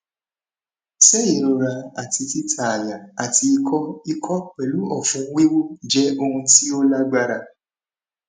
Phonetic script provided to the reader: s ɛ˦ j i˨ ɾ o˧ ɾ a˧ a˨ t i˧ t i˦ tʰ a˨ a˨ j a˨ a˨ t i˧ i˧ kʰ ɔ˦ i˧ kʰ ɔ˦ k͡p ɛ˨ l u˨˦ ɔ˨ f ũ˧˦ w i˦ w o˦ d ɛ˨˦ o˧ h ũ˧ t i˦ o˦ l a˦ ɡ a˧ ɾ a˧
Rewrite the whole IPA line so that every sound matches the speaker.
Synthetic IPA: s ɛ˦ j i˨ ɾ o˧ ɾ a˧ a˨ t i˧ t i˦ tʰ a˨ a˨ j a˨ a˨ t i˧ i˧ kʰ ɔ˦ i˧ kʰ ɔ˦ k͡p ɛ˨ l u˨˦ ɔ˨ f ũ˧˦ w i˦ w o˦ d͡ʒ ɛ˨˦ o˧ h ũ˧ t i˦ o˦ l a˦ ɡ͡b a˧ ɾ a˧